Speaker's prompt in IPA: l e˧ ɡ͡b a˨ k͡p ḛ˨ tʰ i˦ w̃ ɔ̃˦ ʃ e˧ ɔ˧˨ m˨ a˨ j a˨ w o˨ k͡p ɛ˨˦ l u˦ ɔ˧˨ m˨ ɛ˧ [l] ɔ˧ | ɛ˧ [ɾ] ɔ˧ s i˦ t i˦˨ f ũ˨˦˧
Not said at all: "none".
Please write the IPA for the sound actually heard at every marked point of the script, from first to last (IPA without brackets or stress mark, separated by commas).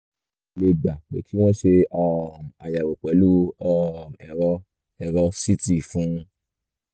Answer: ɾ, ɾ